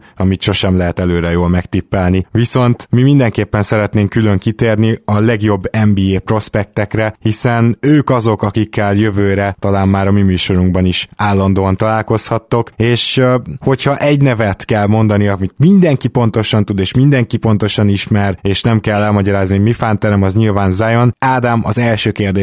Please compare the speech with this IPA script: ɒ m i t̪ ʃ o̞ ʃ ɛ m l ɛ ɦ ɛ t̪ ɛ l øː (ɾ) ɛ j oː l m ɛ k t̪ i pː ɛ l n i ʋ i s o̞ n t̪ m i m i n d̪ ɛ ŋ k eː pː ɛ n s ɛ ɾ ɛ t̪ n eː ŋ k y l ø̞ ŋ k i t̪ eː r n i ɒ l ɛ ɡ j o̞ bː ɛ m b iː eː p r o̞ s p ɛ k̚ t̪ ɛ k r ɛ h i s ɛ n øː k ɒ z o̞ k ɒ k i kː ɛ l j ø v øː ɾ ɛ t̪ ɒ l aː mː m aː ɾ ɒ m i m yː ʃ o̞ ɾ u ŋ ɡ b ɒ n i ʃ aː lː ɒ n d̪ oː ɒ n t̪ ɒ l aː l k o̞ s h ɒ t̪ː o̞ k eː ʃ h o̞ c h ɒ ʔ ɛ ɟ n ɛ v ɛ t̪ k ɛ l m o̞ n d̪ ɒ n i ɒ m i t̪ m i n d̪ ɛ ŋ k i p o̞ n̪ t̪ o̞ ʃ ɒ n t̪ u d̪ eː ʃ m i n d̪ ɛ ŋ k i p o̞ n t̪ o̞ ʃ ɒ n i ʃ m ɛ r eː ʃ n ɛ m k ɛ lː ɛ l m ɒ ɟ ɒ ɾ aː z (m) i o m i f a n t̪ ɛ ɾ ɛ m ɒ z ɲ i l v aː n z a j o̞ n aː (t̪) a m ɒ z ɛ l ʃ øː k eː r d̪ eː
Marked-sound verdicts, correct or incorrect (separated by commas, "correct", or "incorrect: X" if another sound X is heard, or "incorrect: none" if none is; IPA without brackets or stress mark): correct, incorrect: n, incorrect: d̪